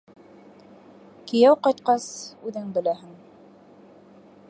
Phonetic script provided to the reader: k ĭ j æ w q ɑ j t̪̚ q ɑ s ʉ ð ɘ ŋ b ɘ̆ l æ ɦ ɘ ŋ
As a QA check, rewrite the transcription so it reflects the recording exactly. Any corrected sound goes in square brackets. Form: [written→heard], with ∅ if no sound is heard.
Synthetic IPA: k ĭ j æ w q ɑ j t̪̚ q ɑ s ʉ ð ɘ ŋ b ɘ̆ l æ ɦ ɘ ŋ